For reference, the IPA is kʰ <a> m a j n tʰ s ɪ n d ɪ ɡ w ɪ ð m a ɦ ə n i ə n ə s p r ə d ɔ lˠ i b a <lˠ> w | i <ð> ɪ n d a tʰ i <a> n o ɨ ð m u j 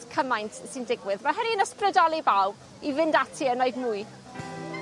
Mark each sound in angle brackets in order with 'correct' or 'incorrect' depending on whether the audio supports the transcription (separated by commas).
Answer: incorrect, incorrect, incorrect, incorrect